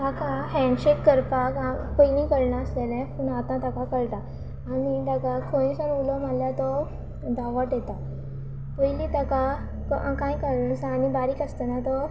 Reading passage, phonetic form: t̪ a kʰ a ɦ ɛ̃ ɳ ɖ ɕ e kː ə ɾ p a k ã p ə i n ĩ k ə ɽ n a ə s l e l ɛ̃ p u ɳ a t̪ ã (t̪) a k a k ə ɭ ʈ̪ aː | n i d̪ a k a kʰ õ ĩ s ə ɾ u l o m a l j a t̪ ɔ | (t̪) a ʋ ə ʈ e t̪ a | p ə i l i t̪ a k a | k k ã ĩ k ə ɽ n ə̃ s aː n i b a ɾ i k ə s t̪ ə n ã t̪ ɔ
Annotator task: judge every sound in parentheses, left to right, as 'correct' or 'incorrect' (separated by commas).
correct, incorrect